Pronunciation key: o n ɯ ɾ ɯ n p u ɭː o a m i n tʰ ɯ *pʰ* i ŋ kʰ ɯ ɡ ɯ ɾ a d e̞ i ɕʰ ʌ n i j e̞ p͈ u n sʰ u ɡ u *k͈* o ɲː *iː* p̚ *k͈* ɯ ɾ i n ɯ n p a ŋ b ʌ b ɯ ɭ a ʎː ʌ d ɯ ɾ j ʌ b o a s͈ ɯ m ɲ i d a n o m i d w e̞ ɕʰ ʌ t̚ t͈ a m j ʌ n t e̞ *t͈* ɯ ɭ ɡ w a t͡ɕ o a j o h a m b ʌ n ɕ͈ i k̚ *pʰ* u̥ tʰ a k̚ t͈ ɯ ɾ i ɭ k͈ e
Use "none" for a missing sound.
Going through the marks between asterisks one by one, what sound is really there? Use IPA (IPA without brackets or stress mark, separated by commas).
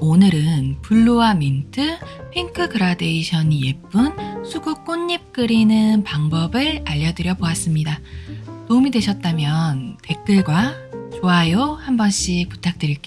pʰ, k͈, i, k͈, k͈, p